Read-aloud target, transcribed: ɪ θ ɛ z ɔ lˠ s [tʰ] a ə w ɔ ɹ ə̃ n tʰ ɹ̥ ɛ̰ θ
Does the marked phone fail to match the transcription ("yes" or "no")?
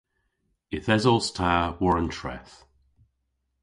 no